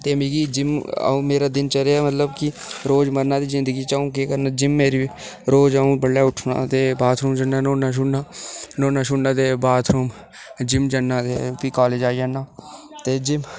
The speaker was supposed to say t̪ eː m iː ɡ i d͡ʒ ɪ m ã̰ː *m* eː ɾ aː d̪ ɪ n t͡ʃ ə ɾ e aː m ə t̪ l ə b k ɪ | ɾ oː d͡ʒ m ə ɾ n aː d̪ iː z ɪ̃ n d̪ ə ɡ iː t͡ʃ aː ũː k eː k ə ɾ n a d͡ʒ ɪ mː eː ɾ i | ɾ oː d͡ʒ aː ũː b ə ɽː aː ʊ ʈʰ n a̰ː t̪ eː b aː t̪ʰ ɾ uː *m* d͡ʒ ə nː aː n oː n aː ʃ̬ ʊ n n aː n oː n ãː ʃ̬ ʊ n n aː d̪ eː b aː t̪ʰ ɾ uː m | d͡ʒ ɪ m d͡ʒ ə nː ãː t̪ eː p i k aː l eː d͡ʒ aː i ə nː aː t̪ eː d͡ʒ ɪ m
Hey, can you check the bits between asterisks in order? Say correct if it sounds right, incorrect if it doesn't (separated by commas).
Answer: correct, correct